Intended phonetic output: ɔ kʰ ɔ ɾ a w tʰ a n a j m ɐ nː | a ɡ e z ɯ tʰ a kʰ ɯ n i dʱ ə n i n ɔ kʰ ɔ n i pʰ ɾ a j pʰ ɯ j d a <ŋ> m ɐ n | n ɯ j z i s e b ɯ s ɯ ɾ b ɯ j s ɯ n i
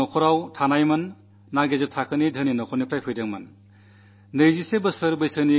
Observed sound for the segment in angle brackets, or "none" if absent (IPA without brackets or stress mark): ŋ